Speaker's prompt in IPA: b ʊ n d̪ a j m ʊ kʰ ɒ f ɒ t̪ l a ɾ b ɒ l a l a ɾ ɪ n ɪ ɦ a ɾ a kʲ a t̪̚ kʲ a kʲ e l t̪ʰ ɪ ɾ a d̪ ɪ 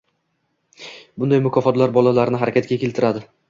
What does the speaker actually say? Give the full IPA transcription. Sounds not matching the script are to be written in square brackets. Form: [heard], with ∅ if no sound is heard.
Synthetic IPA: b ʊ n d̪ a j m ʊ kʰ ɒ f ɒ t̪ l a ɾ b ɒ l a l a ɾ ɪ n ɪ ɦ a ɾ a kʲ a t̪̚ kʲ a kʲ e l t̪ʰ ɪ ɾ a d̪ ɪ